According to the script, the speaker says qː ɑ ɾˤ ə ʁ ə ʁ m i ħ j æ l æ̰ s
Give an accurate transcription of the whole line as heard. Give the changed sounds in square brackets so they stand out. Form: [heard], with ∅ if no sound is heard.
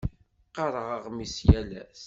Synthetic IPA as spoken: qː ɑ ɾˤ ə ʁ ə ʁ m i [s] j æ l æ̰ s